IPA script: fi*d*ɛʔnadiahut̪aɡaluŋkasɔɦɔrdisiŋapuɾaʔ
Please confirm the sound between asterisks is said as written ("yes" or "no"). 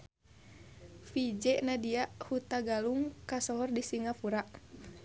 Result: no